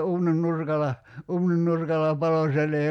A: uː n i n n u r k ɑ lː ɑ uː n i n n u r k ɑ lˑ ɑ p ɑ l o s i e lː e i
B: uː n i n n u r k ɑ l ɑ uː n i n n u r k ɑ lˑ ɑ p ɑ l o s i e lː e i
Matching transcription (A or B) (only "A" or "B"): B